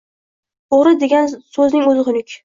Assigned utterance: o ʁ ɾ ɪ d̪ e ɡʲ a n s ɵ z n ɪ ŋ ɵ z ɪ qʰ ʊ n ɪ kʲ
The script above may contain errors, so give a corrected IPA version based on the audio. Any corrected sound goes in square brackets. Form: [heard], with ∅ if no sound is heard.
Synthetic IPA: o ʁ ɾ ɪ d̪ e ɡʲ a n s ɵ z n ɪ ŋ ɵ z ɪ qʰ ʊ n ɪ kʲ